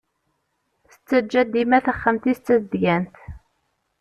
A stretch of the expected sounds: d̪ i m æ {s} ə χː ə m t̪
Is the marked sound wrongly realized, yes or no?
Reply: yes